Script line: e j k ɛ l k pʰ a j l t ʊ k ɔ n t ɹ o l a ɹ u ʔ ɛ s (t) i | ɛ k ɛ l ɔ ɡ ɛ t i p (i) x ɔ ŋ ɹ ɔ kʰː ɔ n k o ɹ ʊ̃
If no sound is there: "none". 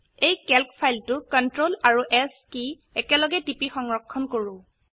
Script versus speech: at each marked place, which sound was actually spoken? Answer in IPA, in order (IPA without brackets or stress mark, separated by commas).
k, i